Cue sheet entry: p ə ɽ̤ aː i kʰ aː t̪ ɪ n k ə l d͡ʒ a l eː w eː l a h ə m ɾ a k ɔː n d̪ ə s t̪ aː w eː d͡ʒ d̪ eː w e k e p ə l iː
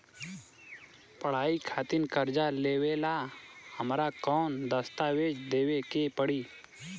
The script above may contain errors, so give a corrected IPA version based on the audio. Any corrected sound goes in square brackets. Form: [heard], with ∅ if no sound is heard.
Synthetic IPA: p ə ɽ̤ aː i kʰ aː t̪ ɪ n k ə [ɾ] d͡ʒ a l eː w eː l a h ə m ɾ a k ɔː n d̪ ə s t̪ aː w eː d͡ʒ d̪ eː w e k e p ə [ɽ] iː